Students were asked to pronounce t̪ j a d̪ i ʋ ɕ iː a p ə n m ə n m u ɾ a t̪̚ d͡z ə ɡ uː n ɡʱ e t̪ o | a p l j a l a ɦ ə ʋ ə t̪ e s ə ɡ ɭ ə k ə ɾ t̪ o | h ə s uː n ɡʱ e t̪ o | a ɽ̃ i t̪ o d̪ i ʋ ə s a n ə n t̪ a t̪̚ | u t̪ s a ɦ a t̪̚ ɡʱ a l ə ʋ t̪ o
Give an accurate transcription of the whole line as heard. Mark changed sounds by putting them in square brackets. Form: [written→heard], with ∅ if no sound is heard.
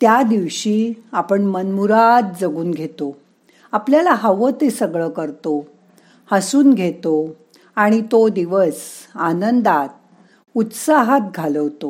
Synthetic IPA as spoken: t̪ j a d̪ i ʋ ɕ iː a p ə [n→ɳ] m ə n m u ɾ a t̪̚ d͡z ə ɡ uː n ɡʱ e t̪ o | a p l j a l a ɦ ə ʋ ə t̪ e s ə ɡ ɭ ə k ə ɾ t̪ o | h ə s uː n ɡʱ e t̪ o | a ɽ̃ i t̪ o d̪ i ʋ ə s a n ə n [t̪→d̪] a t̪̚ | u t̪ s a ɦ a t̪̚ ɡʱ a l ə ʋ t̪ o